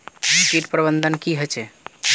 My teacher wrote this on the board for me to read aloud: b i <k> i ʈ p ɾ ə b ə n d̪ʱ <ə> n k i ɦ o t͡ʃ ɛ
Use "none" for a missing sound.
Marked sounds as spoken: k, ə

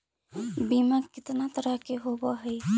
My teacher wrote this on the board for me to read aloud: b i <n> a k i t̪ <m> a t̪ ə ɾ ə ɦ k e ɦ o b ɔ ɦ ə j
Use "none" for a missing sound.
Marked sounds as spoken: m, n

